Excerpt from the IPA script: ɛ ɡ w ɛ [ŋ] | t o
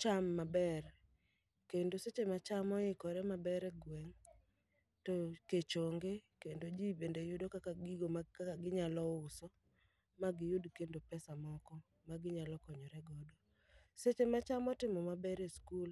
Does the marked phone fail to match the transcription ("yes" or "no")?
no